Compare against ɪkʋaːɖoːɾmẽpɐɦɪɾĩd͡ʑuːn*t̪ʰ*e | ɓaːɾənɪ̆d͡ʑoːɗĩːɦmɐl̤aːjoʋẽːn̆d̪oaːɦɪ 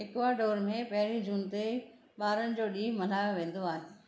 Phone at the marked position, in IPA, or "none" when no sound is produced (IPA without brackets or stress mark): t̪